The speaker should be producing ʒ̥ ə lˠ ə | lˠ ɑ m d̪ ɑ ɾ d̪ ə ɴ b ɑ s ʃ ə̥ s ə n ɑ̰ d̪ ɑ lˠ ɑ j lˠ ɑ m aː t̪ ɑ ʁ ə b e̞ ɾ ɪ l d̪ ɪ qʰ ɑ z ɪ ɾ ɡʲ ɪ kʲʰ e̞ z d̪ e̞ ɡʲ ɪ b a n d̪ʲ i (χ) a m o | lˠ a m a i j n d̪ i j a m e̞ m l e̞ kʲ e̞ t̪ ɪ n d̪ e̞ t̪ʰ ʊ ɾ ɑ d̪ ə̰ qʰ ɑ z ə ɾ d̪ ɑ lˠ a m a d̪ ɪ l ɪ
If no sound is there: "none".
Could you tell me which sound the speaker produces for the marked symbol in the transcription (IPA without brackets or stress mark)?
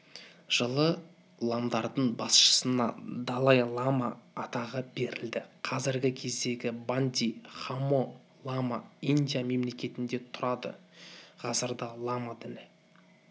χ